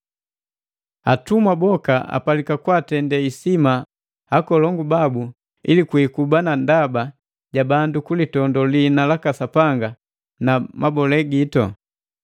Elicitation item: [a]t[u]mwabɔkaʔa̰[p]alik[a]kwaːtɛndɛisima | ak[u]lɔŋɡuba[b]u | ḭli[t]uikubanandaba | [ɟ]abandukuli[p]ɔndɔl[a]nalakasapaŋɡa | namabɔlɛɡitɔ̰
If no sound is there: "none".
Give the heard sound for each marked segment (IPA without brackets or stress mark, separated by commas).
a, u, p, a, ɔ, b, k, ɟ, t, i